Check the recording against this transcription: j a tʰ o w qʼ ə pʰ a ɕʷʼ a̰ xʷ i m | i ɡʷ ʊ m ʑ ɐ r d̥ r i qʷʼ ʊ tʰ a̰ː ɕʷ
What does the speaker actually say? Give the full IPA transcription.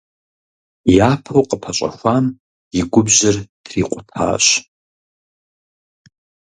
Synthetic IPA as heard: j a pʰ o w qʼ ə pʰ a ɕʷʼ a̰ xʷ a m | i ɡʷ ʊ b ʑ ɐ r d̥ r i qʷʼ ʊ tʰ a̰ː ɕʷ